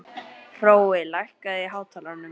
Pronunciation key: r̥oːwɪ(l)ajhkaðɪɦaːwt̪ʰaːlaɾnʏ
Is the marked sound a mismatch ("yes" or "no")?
no